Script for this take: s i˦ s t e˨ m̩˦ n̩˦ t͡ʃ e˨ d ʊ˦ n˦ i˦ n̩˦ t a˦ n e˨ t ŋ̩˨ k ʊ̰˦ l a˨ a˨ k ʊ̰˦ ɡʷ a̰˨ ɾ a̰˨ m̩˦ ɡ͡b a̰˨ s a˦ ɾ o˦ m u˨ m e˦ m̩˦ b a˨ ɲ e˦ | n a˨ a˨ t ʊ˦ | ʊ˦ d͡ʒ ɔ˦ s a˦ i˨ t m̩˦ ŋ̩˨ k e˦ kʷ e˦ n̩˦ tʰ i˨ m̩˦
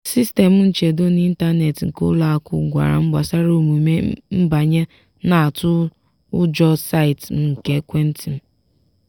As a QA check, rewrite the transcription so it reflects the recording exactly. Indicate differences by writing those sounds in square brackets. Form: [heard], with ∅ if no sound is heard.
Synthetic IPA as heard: s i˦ s t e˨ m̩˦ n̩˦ t͡ʃ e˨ d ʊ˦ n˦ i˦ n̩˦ t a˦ n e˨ t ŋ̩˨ k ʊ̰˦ l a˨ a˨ k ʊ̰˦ ɡʷ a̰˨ ɾ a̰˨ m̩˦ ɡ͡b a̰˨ s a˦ ɾ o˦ m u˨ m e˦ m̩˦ b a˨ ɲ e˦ | n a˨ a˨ t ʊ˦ | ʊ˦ d͡ʒ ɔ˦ s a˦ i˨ t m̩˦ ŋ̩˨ k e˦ kʷ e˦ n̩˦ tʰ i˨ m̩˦